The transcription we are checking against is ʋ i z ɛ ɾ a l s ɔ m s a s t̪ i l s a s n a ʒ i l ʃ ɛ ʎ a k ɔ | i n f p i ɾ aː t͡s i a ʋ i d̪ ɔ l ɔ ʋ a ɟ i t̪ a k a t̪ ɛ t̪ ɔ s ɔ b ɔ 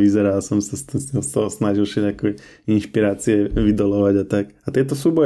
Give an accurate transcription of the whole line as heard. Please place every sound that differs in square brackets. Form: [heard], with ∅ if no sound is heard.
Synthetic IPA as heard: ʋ i z ɛ ɾ a l s ɔ m s a s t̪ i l s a s n a ʒ i l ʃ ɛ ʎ a k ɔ | i n [ʃ] p i ɾ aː t͡s i [ɛ] ʋ i d̪ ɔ l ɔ ʋ a ɟ [a] t̪ a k a t̪ ɛ t̪ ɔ s [u] b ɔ